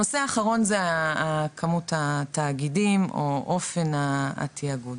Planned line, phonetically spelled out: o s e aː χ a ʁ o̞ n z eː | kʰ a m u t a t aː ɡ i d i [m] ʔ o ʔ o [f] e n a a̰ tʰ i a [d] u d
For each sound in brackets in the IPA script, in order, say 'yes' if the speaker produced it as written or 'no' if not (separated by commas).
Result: yes, yes, no